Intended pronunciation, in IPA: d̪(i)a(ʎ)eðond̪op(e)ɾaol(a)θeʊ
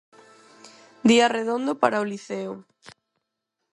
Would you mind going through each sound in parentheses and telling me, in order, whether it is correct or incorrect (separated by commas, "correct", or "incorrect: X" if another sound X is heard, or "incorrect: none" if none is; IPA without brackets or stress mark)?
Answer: correct, incorrect: r, incorrect: a, incorrect: i